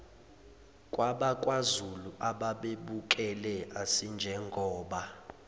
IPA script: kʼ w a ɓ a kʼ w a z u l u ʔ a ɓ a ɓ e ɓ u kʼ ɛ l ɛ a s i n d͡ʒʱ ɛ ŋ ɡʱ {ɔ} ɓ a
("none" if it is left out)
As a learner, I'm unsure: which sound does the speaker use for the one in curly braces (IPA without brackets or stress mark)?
ɔː